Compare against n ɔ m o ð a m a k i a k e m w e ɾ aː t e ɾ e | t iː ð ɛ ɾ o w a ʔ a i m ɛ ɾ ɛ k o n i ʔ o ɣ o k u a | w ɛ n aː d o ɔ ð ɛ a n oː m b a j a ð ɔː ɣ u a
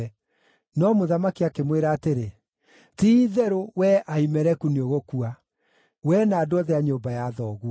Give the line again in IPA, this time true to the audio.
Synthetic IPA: n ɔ m o ð a m a k i a k e m w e ɾ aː t e ɾ e | t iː ð ɛ ɾ o w ɛ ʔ a i m ɛ ɾ ɛ k u n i o ɣ o k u a | w ɛ n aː d o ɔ ð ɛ a ɲ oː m b a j a ð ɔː ɣ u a